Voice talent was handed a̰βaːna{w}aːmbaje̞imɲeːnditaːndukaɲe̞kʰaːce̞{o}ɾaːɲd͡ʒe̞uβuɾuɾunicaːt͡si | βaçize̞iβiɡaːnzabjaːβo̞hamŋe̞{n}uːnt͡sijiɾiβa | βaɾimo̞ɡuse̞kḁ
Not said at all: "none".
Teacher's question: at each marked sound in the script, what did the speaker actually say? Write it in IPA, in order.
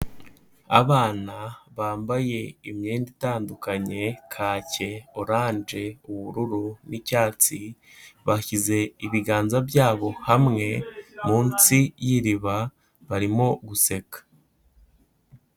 β, o, m

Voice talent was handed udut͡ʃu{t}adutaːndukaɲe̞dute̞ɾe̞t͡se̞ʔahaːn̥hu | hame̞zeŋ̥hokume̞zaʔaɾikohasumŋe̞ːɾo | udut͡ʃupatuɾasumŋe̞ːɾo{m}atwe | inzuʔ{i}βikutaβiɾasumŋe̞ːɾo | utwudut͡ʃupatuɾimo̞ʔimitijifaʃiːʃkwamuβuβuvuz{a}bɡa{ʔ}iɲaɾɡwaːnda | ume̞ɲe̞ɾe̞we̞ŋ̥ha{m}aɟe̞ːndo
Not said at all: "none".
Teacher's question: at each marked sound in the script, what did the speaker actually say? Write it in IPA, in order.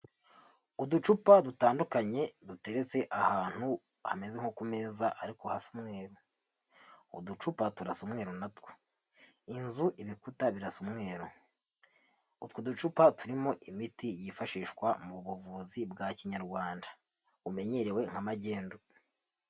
p, n, i, i, c, m

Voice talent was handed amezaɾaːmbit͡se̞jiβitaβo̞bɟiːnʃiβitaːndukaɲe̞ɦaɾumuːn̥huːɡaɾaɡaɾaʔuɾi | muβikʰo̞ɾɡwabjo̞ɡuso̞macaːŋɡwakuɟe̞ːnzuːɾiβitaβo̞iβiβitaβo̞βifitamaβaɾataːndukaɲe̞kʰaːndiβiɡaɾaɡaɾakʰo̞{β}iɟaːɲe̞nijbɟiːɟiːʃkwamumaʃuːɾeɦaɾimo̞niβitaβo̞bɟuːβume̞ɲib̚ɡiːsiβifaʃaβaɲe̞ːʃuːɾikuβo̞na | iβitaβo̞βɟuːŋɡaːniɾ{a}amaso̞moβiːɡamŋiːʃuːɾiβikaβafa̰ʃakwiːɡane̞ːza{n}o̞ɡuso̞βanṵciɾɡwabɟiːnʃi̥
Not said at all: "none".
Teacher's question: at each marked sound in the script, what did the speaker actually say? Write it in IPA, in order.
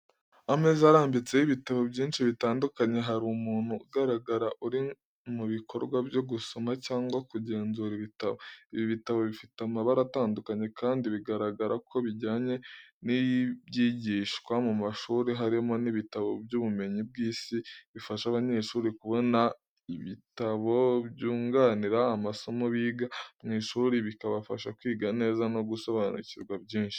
β, a, n

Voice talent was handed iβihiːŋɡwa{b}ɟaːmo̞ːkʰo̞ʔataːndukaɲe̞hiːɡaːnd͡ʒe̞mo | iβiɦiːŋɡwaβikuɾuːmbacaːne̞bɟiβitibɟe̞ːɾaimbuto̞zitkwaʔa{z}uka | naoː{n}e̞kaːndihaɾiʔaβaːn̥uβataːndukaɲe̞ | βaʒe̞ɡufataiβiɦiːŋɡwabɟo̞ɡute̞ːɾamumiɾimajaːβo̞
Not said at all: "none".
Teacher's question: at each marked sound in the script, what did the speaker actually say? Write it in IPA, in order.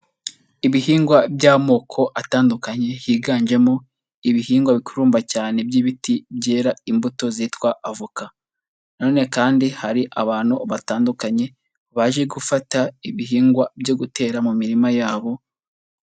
b, v, n

